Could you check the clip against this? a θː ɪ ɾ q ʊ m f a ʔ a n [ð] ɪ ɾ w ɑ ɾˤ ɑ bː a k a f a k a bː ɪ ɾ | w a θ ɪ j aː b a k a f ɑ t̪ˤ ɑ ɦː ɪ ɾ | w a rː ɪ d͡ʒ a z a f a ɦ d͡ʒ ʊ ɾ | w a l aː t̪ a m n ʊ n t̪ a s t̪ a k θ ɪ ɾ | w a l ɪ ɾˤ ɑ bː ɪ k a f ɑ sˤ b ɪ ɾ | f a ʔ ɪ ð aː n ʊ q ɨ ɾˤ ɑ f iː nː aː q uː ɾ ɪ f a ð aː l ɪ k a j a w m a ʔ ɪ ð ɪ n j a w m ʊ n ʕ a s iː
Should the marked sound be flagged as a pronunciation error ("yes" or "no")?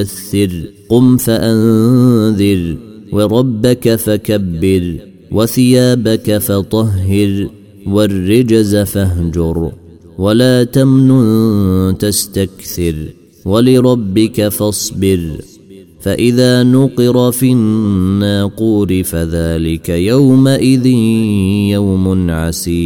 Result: no